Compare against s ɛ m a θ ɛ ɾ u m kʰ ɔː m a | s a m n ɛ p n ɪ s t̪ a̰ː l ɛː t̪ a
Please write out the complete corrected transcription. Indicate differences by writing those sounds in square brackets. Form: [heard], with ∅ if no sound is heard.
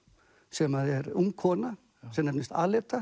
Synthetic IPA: s ɛ m a [ð] ɛ ɾ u m kʰ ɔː [n] a | s [ɛ] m n ɛ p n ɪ s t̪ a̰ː l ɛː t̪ a